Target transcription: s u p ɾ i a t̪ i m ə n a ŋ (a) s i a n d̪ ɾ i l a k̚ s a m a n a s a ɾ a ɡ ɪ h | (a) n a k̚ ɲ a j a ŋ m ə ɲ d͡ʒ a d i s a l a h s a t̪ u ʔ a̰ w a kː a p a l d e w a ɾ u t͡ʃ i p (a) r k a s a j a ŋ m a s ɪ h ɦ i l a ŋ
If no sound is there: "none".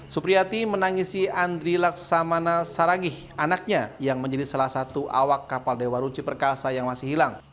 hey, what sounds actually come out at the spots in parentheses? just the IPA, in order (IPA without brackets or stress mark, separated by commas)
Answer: i, a, ə